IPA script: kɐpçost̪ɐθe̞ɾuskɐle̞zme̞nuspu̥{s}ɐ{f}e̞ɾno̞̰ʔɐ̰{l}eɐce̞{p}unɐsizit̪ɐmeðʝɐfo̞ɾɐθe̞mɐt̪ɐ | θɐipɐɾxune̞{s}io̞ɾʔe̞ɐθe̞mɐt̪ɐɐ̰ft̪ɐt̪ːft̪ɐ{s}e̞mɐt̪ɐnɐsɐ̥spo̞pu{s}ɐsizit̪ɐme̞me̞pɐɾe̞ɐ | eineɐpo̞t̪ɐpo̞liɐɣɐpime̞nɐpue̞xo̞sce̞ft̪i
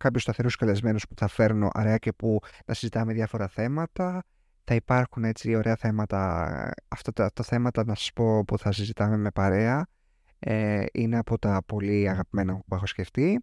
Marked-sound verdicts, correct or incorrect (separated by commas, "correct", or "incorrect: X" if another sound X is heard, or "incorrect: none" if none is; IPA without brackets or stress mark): incorrect: θ, correct, incorrect: ɾ, correct, incorrect: t͡s, incorrect: θ, incorrect: θ